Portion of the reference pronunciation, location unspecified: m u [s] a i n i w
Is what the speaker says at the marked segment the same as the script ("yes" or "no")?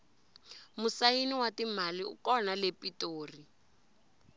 yes